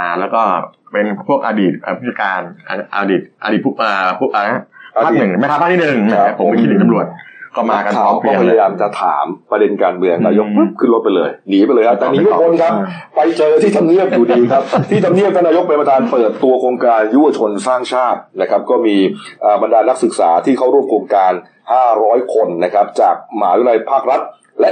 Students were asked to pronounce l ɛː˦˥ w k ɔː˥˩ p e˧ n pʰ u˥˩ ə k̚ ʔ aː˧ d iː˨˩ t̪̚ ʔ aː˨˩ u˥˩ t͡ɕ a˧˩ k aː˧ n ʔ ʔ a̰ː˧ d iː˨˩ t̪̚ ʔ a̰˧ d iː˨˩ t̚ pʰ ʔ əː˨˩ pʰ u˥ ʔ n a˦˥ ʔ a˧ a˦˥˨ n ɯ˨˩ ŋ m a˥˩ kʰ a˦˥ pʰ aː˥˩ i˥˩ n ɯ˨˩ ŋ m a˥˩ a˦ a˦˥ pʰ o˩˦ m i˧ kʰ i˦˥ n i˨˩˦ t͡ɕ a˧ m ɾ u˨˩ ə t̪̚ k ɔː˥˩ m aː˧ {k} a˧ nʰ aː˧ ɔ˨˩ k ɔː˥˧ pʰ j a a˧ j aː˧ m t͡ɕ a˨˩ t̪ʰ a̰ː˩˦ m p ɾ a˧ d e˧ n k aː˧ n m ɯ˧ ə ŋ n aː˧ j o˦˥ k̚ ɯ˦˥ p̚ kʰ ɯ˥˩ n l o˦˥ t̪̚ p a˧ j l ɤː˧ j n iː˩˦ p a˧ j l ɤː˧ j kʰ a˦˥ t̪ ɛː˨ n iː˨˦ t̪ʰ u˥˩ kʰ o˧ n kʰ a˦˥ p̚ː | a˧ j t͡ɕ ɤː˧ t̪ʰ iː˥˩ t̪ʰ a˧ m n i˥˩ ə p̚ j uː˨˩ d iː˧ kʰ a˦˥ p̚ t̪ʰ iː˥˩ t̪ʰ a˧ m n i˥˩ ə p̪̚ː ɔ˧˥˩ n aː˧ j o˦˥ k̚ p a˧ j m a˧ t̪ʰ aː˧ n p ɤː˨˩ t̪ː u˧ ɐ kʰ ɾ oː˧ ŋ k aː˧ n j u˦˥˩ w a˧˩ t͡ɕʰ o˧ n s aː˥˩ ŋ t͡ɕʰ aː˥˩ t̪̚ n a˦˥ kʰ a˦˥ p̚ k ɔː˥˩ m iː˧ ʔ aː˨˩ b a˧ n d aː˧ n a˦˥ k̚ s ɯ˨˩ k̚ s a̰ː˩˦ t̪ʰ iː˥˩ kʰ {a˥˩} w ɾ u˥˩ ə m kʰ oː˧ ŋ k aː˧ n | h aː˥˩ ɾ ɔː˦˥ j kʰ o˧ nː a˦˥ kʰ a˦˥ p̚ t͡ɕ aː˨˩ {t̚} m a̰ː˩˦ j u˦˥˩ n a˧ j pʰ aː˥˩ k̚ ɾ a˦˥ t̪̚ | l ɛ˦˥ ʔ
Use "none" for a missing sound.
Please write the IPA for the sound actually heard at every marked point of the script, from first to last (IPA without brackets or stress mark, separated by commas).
k, a˥˩, k̚